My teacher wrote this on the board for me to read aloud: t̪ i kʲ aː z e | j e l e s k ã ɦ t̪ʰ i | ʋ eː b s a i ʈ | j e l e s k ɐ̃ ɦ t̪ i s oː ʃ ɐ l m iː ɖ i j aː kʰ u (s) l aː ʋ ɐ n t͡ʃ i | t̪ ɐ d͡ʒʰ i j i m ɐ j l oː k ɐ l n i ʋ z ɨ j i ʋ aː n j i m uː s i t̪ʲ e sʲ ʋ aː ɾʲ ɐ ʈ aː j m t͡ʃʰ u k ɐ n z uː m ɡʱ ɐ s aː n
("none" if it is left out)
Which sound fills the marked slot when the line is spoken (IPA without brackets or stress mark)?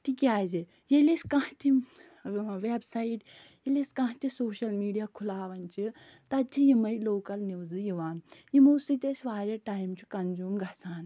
none